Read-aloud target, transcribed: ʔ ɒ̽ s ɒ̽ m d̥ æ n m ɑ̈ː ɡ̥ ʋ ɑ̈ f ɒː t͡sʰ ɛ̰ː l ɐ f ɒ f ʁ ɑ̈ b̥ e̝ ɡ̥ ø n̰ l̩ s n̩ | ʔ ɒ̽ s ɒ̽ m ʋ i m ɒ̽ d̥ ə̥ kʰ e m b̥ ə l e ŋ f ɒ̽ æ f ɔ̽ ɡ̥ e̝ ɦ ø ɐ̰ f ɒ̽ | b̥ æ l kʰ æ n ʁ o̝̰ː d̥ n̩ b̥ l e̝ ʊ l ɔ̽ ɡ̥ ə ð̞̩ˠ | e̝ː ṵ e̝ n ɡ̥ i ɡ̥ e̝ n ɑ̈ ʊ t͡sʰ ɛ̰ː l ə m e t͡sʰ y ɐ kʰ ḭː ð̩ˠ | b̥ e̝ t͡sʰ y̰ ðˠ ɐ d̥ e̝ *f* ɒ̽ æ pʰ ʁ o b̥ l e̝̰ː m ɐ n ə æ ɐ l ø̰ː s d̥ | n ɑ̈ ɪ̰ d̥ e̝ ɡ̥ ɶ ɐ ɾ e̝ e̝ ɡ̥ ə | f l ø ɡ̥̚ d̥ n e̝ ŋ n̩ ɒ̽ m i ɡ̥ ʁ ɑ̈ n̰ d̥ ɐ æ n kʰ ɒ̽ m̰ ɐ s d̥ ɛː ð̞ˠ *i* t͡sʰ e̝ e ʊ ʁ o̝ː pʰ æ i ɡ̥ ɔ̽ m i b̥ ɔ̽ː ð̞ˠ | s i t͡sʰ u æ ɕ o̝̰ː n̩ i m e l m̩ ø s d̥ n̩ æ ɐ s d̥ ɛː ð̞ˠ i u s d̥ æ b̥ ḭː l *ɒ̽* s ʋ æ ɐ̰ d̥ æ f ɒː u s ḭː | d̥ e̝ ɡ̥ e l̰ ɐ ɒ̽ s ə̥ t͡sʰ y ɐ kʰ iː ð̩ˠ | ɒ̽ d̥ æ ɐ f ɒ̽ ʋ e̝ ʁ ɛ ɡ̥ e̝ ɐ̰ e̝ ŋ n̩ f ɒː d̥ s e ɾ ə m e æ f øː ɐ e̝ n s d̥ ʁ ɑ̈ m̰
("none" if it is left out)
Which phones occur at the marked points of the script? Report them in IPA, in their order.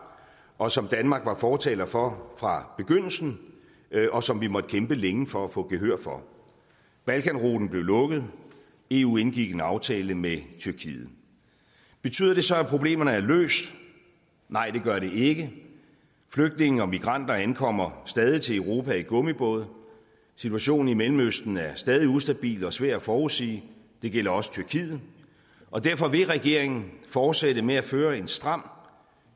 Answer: s, i, ɒ̽

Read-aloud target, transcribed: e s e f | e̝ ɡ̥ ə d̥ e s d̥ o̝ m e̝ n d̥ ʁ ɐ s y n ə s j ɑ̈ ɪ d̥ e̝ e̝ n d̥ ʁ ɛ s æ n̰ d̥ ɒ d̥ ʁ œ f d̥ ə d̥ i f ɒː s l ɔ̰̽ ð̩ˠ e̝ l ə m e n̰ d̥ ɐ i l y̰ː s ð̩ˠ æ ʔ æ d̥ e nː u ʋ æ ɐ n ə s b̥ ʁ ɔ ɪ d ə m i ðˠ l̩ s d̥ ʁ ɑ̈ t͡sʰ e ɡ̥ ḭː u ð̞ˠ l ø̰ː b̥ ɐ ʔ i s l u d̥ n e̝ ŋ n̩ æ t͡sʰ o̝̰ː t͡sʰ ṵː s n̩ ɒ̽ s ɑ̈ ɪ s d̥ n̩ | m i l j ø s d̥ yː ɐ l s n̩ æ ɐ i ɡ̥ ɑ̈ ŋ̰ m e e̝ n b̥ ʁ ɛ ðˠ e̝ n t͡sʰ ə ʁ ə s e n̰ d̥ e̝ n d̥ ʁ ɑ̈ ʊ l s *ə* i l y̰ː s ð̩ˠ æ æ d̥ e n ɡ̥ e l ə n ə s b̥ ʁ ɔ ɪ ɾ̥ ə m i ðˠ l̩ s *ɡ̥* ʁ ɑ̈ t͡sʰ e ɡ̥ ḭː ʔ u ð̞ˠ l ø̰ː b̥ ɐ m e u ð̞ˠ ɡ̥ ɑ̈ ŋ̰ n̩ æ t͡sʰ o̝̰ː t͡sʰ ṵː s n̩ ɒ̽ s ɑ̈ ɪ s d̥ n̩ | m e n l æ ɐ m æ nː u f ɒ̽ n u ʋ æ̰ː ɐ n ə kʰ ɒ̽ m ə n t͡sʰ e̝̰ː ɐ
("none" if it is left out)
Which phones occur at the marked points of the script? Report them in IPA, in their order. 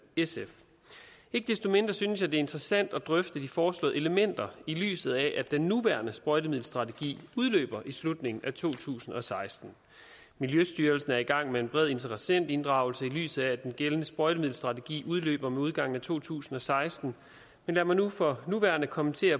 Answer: ə, d̥

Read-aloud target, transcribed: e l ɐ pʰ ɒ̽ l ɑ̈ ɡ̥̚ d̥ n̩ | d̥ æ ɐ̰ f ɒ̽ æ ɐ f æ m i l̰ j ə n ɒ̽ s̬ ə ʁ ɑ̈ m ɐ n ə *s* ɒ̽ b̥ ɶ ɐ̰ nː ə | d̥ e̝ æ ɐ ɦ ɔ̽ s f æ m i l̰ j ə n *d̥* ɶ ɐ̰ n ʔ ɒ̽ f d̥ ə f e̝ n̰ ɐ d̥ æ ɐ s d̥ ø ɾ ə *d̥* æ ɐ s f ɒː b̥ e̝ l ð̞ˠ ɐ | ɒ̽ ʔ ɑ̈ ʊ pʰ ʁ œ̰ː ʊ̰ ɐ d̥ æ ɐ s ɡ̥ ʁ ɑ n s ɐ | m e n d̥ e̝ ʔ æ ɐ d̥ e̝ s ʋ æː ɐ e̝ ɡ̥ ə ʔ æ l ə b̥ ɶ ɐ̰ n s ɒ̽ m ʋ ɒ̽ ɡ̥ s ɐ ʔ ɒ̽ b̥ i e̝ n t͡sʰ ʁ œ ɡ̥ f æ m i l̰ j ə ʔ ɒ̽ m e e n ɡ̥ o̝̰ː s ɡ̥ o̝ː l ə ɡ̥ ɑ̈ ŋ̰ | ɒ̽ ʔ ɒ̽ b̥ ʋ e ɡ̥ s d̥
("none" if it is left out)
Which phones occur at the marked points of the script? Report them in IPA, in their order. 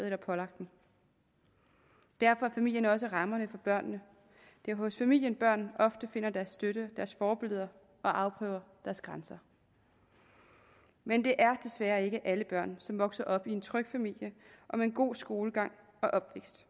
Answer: f, b̥, d̥

